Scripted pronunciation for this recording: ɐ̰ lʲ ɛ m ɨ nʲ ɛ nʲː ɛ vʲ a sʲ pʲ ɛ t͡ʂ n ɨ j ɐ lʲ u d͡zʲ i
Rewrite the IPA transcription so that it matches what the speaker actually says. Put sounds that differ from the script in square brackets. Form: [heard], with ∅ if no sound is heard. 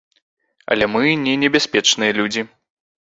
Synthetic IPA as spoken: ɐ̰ lʲ ɛ m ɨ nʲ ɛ [nʲ] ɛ [bʲ] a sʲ pʲ ɛ t͡ʂ n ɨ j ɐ lʲ u d͡zʲ i